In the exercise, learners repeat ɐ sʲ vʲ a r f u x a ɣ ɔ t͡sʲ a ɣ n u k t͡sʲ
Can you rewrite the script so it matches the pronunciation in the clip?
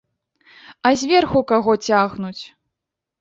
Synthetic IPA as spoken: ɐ zʲ vʲ ɛ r x u k a ɣ ɔ t͡sʲ a ɣ n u t͡sʲ